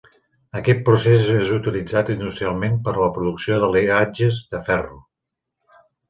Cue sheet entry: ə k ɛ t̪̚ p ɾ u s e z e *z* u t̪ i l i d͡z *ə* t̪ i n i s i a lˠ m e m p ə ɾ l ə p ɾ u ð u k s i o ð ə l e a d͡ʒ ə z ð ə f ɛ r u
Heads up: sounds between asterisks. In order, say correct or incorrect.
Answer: correct, incorrect: a

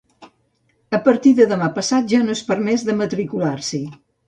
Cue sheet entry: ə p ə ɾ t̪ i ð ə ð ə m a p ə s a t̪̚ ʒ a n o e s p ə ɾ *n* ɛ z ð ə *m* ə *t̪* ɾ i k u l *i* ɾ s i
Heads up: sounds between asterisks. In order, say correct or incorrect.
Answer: incorrect: m, correct, correct, incorrect: a

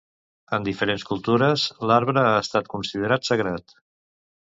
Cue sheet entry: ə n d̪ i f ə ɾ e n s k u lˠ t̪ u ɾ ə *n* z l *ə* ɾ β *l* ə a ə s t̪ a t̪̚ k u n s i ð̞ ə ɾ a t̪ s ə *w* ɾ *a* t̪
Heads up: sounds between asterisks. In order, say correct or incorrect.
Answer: incorrect: none, incorrect: a, incorrect: ɾ, incorrect: ɣ, correct

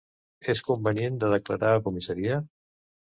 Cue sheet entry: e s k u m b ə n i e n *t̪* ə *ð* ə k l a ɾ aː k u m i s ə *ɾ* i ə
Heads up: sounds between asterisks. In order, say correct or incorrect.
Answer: incorrect: d̪, correct, correct

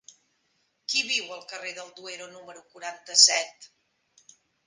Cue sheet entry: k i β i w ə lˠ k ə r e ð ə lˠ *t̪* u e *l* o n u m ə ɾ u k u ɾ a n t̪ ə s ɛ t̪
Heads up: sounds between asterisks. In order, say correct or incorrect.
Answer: incorrect: d̪, incorrect: ɾ

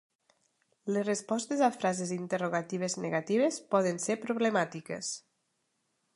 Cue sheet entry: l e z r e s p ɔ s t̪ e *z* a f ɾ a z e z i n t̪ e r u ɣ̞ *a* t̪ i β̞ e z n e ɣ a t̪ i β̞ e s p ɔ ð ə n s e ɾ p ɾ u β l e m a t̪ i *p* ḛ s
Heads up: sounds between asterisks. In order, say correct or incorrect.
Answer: correct, correct, incorrect: k

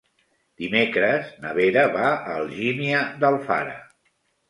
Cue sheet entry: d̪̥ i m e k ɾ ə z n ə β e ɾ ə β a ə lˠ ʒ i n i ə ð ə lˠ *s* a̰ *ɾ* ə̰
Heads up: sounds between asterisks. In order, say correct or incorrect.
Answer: incorrect: f, correct

